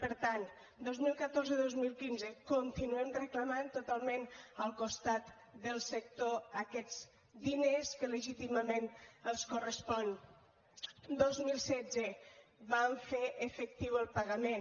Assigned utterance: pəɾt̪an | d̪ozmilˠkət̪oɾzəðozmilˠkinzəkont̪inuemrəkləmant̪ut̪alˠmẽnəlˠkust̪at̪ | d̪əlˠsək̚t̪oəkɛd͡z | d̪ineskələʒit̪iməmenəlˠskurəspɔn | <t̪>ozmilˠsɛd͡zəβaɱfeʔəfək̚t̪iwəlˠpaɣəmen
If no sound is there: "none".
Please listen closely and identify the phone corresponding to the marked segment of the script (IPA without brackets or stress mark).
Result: d̪